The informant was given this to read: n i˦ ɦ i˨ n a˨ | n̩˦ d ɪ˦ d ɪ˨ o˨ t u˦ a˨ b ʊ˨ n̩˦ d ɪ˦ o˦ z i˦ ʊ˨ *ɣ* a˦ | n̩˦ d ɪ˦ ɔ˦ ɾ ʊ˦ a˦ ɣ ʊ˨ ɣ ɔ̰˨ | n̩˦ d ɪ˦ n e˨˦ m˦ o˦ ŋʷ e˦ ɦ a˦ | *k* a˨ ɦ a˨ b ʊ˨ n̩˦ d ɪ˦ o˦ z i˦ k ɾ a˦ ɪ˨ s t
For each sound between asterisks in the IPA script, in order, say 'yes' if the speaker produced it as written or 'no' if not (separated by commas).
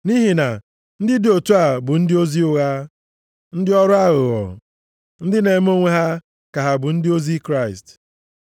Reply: yes, yes